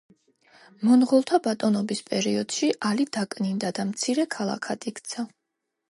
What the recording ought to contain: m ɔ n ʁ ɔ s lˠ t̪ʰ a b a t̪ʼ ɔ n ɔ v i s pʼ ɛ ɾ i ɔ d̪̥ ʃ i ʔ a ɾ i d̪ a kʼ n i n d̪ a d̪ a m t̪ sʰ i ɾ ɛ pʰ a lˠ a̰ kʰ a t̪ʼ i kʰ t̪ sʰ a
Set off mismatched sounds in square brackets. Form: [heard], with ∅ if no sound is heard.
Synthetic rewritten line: m ɔ n ʁ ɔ [∅] lˠ t̪ʰ a b a t̪ʼ ɔ n ɔ [b] i s pʼ ɛ ɾ i ɔ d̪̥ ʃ i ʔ a [l] i d̪ a kʼ n i n d̪ a d̪ a m t̪ sʰ i ɾ ɛ [kʰ] a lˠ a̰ kʰ a t̪ʼ i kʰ t̪ sʰ a